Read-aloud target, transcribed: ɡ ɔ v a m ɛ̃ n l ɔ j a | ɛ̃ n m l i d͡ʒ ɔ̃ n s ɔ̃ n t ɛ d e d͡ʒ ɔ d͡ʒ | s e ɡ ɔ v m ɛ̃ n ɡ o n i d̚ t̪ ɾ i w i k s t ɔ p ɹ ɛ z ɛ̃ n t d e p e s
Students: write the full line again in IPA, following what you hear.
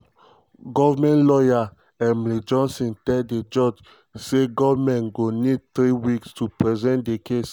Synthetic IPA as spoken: ɡ ɔ v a m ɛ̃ n l ɔ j a | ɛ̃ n m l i d͡ʒ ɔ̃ n s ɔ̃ n t ɛ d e d͡ʒ ɔ d͡ʒ | s e ɡ ɔ v m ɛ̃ n ɡ o n i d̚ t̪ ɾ i w i k s t u p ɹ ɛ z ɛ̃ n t d e k e s

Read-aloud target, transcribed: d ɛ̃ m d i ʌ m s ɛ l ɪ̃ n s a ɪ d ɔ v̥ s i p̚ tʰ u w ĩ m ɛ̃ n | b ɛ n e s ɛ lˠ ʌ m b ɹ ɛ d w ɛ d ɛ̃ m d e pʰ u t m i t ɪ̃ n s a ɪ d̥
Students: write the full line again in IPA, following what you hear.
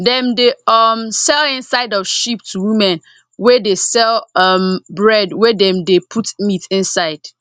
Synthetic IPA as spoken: d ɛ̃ m d e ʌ m s ɛ l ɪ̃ n s a ɪ d ɔ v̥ ʃ i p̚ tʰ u w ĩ m ɛ̃ n | w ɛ d e s ɛ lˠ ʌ m b ɹ ɛ d w ɛ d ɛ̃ m d e pʰ u t m i t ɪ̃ n s a ɪ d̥

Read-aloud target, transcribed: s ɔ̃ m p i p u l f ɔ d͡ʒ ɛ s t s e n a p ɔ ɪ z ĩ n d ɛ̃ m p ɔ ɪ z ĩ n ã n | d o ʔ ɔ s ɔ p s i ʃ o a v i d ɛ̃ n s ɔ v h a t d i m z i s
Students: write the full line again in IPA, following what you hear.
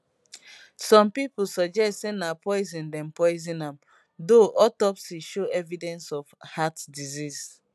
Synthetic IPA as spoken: s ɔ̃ m p i p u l s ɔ d͡ʒ ɛ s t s e n a p ɔ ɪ z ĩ n d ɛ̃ m p ɔ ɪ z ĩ n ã m | d o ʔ ɔ t ɔ p s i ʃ o ɛ v i d ɛ̃ n s ɔ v h a t d i z i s

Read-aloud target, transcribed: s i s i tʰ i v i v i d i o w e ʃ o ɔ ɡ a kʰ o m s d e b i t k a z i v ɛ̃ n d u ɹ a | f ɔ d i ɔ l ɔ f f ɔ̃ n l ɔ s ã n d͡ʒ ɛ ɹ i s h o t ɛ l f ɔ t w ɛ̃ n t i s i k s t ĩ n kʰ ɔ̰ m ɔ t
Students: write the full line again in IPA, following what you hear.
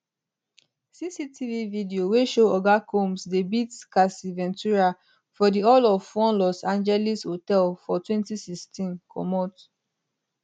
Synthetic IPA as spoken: s i s i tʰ i v i v i d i o w e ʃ o ɔ ɡ a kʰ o m s d e b i t k a s i v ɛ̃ n t u ɹ a | f ɔ d i ɔ l ɔ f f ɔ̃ n l ɔ s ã n d͡ʒ ɛ l i s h o t ɛ l f ɔ t w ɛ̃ n t i s i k s t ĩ n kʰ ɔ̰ m ɔ t

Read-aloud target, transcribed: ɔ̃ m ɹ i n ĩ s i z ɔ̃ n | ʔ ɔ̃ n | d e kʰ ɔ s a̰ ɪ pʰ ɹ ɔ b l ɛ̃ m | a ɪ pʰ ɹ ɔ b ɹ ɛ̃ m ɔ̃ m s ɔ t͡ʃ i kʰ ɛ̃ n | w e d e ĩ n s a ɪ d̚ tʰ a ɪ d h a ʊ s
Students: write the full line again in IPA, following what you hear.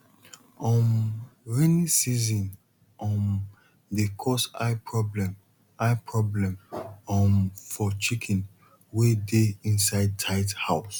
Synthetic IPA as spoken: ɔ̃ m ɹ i n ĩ s i z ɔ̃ n | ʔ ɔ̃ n | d e kʰ ɔ s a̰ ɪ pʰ ɹ ɔ b l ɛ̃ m | a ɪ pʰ ɹ ɔ b l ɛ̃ m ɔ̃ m f ɔ t͡ʃ i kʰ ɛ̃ n | w e d e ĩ n s a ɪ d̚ tʰ a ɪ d h a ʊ s

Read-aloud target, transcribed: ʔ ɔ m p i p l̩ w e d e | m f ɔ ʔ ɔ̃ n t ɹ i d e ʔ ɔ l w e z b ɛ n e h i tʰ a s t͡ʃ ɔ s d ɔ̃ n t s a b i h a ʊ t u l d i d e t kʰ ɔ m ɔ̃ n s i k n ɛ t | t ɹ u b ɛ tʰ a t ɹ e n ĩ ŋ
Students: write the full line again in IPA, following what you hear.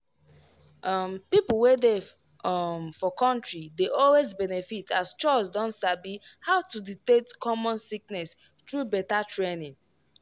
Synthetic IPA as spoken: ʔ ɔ m p i p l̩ w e d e | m f ɔ k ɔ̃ n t ɹ i d e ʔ ɔ l w e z b ɛ n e f i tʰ a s t͡ʃ ɔ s d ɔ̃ n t s a b i h a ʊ t u d i t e t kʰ ɔ m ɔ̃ n s i k n ɛ s | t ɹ u b ɛ t a t ɹ e n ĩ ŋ

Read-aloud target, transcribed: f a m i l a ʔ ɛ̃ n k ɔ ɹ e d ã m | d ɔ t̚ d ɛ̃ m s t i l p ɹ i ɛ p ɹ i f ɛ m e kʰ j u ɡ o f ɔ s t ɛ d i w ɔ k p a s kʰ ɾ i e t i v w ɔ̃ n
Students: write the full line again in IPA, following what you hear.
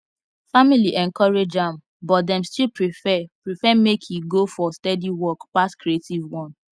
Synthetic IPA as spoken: f a m i l i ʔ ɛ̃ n k ɔ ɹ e d͡ʒ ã m | b ɔ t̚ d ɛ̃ m s t i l p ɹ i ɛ p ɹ i f ɛ m e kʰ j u ɡ o f ɔ s t ɛ d i w ɔ k p a s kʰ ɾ i e t i v w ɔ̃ n

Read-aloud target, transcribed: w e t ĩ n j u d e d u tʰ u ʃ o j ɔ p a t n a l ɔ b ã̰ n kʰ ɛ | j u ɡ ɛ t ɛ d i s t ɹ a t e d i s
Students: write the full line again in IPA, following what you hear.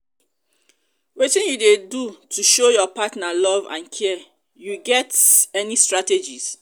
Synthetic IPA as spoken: w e t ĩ n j u d e d u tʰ u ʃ o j ɔ p a t n a l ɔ v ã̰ n kʰ ɛ | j u ɡ ɛ t ɛ n i s t ɹ a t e d͡ʒ i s

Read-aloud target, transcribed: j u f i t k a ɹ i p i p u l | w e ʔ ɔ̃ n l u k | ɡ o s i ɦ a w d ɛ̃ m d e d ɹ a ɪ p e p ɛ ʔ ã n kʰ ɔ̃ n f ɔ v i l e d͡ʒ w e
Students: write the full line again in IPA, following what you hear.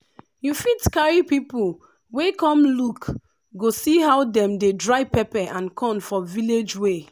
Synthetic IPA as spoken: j u f i t k a ɹ i p i p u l | w e k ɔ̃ m l u k | ɡ o s i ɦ a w d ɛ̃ m d e d ɹ a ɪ p ɛ p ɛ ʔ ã n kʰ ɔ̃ n f ɔ v i l e d͡ʒ w e

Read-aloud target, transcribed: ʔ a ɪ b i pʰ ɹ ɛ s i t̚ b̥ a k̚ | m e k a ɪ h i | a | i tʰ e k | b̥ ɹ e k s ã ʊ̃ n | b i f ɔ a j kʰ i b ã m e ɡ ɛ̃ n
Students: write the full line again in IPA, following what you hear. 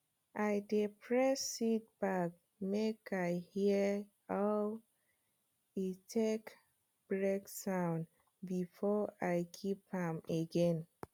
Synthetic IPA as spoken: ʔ a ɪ d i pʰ ɹ ɛ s i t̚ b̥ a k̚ | m e k a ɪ h i | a | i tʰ e k | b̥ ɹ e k s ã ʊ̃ n | b i f ɔ a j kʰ i p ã m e ɡ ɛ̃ n

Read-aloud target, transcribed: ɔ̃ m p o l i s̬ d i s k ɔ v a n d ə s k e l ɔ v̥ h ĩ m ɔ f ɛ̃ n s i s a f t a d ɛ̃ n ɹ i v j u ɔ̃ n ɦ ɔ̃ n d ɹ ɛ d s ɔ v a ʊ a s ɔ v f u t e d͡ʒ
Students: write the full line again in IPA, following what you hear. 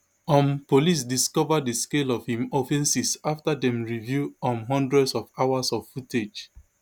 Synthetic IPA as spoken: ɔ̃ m p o l i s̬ d i s k ɔ v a d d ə s k e l ɔ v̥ h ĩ m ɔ f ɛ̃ n s i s a f t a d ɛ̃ m ɹ i v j u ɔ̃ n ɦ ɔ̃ n d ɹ ɛ d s ɔ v a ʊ a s ɔ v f u t e d͡ʒ

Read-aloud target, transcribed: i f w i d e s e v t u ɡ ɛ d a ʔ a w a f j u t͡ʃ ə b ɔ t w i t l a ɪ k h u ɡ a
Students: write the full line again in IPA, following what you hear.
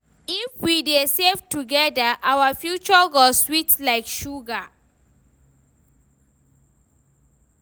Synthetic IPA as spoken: i f w i d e s e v t u ɡ ɛ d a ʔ a w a f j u t͡ʃ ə ɡ ɔ s w i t l a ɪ k ʃ u ɡ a

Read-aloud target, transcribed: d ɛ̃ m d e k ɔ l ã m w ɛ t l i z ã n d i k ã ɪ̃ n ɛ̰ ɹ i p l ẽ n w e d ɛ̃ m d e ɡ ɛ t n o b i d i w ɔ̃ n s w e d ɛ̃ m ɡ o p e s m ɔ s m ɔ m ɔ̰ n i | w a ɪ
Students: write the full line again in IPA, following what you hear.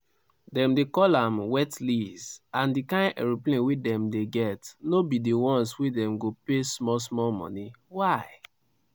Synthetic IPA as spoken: d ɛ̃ m d e k ɔ l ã m w ɛ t l i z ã n d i k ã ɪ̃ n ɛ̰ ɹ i p l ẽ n w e d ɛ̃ m d e ɡ ɛ t n o b i d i w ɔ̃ n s w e d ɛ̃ m ɡ o p e s m ɔ s m ɔ m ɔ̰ n i | w a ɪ

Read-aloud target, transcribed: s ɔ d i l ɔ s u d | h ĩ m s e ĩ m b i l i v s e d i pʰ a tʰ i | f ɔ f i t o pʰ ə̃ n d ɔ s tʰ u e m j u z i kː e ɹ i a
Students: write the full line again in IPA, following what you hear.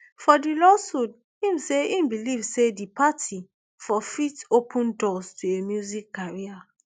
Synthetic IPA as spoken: f ɔ d i l ɔ s u d | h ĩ m s e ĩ m b i l i v s e d i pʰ a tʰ i | f ɔ f i t o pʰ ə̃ n d ɔ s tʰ u e m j u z i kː a ɹ i a

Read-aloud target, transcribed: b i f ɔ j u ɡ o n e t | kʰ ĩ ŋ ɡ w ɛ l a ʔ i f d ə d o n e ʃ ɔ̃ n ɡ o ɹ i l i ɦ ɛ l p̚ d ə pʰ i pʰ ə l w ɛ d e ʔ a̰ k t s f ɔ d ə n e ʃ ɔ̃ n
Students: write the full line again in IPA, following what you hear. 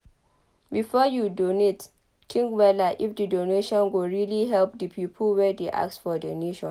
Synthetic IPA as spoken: b i f ɔ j u d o n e t | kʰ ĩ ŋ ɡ w ɛ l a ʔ i f d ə d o n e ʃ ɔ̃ n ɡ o ɹ i l i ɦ ɛ l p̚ d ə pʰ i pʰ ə l w ɛ d e ʔ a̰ k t s f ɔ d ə n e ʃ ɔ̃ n

